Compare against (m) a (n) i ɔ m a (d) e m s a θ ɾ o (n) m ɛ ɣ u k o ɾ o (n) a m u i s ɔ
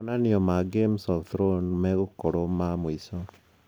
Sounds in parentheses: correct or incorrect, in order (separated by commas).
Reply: incorrect, correct, incorrect, correct, incorrect